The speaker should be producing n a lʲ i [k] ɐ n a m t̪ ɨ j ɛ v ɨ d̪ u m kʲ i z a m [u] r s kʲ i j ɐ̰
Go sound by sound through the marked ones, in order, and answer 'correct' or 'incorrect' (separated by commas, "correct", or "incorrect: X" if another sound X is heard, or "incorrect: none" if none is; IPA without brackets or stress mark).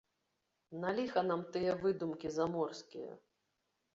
incorrect: x, incorrect: ɔ